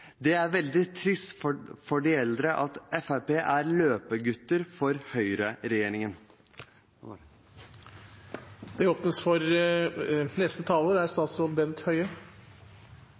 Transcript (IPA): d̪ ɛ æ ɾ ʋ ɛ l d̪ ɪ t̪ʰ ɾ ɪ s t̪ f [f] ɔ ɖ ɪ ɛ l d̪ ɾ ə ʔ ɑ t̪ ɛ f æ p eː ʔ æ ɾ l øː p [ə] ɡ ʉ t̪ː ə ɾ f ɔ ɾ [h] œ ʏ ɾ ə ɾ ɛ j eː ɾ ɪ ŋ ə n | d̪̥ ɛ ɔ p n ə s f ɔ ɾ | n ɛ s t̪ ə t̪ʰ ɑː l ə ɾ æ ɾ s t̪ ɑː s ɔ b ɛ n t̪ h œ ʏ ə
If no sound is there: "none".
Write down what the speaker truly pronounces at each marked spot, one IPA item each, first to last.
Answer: f, ə, h

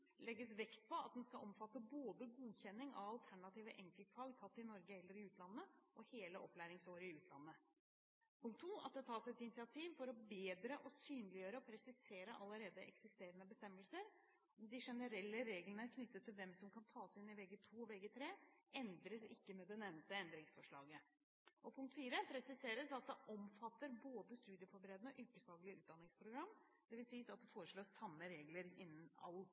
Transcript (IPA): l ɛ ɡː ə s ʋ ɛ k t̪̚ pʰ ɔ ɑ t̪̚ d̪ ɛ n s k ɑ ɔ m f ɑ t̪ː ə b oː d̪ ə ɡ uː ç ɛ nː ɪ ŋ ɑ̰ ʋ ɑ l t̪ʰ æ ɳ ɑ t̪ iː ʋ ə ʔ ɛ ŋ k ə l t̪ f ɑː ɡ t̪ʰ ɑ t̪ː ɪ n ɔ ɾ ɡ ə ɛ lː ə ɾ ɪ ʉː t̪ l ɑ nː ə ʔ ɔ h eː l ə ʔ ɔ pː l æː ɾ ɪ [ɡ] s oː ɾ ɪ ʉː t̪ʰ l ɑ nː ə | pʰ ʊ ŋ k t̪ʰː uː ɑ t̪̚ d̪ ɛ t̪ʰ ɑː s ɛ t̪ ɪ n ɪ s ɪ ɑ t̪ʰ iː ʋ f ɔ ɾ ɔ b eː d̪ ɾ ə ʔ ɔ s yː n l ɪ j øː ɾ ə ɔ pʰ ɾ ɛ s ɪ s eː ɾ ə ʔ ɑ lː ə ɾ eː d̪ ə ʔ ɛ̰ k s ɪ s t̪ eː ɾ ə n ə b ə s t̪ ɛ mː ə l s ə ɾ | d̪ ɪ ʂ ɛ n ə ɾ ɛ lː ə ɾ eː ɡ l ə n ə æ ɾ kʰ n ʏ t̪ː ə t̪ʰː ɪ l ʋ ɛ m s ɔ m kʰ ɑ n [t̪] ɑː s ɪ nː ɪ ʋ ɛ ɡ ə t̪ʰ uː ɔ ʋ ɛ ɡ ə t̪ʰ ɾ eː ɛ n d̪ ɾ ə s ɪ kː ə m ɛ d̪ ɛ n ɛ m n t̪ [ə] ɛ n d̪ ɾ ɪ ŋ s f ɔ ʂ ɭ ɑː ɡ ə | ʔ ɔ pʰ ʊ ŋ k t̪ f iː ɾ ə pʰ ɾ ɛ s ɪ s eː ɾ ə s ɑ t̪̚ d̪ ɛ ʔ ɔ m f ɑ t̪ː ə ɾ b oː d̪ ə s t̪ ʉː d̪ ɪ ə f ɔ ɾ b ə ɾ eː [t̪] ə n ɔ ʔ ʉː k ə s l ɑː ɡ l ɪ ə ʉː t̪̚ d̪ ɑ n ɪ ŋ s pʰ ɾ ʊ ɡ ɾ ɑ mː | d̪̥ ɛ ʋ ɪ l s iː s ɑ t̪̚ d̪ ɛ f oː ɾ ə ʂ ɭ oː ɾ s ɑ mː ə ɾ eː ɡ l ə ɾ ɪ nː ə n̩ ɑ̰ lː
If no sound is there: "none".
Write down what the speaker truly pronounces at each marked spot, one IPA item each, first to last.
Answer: ŋ, t̪ʰ, ə, d̪

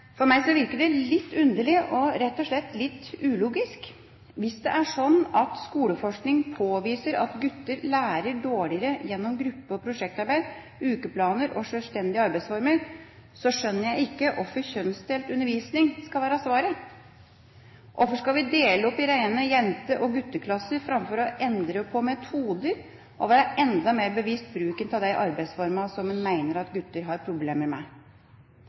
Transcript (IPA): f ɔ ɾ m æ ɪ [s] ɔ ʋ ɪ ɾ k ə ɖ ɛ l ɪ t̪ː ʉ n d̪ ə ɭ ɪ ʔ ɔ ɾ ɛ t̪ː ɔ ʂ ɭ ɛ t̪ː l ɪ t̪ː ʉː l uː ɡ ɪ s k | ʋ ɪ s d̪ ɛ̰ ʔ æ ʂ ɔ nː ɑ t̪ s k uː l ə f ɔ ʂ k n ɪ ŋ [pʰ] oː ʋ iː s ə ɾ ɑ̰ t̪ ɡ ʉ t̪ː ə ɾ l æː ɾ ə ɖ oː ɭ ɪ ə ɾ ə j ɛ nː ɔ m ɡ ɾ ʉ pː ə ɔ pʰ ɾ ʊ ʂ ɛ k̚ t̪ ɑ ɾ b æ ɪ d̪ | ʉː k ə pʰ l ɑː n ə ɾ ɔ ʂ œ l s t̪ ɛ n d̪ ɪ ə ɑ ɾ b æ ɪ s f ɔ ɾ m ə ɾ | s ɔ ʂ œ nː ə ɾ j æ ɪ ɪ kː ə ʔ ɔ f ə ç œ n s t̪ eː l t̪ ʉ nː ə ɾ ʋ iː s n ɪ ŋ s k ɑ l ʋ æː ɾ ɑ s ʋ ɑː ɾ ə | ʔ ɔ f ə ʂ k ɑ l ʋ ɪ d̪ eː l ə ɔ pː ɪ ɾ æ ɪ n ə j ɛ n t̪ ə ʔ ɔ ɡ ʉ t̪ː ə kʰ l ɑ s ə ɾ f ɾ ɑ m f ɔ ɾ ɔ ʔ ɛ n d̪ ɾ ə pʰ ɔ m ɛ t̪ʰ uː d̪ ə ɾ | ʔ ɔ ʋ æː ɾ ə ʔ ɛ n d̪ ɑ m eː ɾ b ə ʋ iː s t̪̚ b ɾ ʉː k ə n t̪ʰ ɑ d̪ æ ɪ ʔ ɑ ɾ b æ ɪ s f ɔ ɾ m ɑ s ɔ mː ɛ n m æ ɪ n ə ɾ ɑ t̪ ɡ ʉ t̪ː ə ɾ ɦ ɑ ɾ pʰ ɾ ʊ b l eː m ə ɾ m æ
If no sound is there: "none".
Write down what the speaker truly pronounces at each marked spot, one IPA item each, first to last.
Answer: s, pʰ

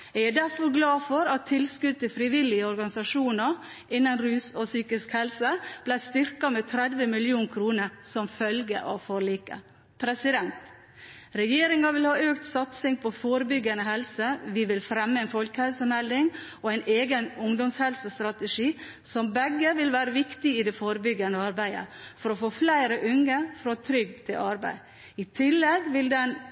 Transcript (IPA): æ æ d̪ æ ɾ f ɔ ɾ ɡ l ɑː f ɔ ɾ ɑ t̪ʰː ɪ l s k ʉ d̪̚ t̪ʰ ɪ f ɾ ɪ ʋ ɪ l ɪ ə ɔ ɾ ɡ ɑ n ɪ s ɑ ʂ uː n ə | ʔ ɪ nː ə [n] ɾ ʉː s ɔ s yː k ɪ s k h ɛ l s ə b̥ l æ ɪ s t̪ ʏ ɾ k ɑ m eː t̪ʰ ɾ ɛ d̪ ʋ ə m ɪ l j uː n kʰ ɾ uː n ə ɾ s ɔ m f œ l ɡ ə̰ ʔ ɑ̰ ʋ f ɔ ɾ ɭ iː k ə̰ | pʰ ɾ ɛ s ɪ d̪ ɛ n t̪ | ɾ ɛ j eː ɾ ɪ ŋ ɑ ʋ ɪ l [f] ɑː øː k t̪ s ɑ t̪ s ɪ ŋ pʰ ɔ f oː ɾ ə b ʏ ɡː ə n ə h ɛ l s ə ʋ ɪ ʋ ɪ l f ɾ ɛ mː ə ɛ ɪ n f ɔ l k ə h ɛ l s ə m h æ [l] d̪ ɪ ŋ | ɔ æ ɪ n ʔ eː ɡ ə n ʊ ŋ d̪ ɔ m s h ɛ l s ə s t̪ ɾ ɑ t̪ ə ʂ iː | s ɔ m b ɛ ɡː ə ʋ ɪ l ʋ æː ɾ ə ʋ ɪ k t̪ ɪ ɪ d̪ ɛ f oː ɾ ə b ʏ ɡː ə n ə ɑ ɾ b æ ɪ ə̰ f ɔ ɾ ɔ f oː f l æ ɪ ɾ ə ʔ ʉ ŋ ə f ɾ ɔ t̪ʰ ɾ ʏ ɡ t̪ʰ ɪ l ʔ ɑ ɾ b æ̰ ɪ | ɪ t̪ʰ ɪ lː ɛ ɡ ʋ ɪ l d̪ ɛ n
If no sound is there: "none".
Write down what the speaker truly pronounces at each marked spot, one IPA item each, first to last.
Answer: n, h, l

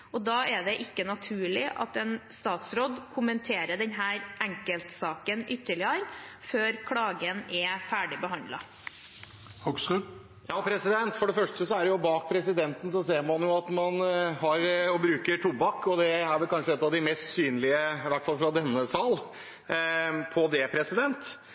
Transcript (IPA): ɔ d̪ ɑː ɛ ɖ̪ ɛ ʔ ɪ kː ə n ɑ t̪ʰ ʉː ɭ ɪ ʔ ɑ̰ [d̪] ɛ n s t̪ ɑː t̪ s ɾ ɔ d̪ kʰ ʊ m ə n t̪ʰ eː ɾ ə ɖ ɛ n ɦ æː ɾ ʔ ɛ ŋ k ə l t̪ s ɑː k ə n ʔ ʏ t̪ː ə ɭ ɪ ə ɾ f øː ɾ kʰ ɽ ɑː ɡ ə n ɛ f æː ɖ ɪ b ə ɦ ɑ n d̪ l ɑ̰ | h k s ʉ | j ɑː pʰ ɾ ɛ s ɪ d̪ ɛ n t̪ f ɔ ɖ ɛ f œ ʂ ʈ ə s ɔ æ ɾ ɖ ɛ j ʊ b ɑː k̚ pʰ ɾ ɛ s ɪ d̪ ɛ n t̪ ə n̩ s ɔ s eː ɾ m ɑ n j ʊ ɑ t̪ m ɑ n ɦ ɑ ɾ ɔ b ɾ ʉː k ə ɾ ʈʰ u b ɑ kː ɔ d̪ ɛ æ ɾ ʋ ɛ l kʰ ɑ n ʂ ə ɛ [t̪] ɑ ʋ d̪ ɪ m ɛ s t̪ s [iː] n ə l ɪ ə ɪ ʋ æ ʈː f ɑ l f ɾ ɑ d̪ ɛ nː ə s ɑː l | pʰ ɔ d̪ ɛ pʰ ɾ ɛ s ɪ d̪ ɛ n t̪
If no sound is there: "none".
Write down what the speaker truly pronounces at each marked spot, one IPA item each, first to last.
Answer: t̪, t̪, yː

